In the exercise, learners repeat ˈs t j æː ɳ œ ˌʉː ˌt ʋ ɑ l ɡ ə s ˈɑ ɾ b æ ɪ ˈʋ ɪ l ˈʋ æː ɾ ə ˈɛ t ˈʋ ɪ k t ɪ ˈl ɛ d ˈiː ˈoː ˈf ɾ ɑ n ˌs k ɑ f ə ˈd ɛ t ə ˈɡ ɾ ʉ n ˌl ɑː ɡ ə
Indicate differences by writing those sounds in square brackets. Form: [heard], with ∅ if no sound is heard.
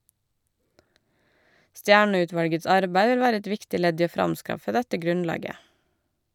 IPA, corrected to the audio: ˈs t j æː ɳ œ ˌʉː ˌt ʋ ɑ l ɡ ə s ˈɑ ɾ b æ ɪ ˈʋ ɪ l ˈʋ æː ɾ ə ˈɛ t ˈʋ ɪ k t ɪ ˈl ɛ d ˈiː ˈoː ˈf ɾ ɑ [m] ˌs k ɑ f ə ˈd ɛ t ə ˈɡ ɾ ʉ n ˌl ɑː ɡ ə